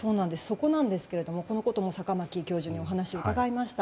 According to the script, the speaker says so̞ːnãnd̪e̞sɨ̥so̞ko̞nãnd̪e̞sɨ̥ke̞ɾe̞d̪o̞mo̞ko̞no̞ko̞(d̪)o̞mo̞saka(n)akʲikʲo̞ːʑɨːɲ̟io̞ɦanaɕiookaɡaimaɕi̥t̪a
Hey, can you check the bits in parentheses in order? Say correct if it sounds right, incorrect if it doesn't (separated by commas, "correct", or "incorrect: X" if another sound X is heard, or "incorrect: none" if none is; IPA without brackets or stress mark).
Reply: incorrect: t̪, incorrect: m